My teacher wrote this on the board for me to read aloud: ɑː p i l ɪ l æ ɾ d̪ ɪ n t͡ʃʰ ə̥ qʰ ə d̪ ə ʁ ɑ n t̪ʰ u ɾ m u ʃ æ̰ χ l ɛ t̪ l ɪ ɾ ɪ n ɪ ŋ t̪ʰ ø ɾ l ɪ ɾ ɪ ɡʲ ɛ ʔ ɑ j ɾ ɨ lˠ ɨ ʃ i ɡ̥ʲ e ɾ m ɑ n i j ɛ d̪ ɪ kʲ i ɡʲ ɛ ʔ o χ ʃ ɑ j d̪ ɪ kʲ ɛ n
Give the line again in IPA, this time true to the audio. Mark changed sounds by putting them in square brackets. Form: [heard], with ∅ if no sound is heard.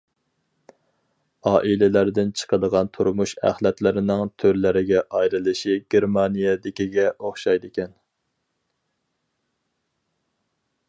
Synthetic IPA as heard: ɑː [ʔ] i l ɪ l æ ɾ d̪ ɪ n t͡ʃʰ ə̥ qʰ ə d̪ ə ʁ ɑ n t̪ʰ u ɾ m u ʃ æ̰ χ l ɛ t̪ l ɪ ɾ ɪ n ɪ ŋ t̪ʰ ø ɾ l ɪ ɾ ɪ ɡʲ ɛ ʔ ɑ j ɾ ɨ lˠ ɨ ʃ i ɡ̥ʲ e ɾ m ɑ n i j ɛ d̪ ɪ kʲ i ɡʲ ɛ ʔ o χ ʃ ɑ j d̪ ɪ kʲ ɛ n